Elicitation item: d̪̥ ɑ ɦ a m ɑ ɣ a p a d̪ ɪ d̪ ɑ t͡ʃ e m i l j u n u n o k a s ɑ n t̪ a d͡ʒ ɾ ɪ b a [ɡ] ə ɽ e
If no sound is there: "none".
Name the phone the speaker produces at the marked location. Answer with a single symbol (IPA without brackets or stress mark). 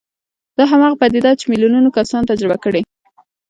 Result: k